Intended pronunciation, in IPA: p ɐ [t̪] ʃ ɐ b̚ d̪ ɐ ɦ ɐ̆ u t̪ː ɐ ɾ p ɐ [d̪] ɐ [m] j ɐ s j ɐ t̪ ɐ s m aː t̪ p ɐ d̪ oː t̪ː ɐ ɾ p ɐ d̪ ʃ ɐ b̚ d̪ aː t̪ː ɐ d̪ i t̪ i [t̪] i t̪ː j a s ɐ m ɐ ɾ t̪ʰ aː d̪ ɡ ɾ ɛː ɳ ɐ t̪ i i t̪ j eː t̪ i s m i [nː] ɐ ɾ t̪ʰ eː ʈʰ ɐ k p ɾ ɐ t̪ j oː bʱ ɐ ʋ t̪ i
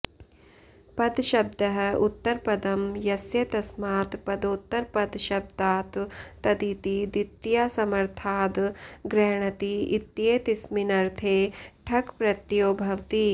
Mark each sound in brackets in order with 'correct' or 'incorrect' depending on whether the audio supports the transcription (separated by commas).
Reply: incorrect, correct, correct, incorrect, incorrect